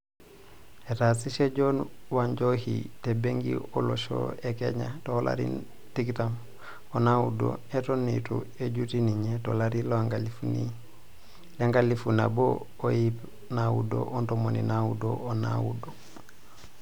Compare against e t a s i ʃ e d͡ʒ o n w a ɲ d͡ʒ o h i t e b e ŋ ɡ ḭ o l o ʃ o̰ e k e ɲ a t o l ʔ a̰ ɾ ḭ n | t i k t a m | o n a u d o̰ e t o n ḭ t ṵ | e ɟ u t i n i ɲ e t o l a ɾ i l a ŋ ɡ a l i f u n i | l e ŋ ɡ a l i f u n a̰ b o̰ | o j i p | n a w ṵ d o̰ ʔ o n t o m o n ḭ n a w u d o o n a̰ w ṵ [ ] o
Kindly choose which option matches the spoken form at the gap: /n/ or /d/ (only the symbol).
d